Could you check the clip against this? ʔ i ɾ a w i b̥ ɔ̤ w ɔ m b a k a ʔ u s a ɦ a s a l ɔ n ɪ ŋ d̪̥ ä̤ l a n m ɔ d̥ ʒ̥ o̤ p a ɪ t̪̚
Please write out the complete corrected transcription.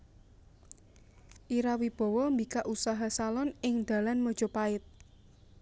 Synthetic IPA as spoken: ʔ i ɾ a w i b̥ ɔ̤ w ɔ m b i k a ʔ u s a ɦ a s a l ɔ n ɪ ŋ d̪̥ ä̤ l a n m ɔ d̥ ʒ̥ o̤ p a ɪ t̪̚